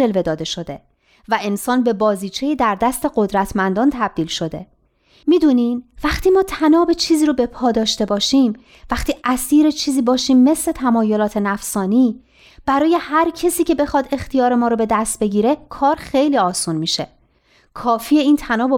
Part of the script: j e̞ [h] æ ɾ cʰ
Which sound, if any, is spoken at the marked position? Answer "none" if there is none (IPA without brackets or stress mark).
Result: h